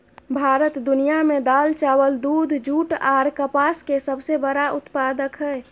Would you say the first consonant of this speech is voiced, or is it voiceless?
voiced